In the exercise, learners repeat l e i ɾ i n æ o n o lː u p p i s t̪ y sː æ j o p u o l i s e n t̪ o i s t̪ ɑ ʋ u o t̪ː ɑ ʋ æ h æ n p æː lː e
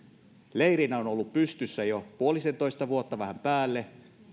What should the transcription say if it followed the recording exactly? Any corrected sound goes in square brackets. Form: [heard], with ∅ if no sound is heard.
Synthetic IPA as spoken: l e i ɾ i n æ o n o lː u p p [y] s t̪ y sː æ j o p u o l i s e n t̪ o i s t̪ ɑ ʋ u o t̪ː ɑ ʋ æ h æ [m] p æː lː e